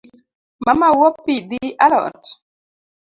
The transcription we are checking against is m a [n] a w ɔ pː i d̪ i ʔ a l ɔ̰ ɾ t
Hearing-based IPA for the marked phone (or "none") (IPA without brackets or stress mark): m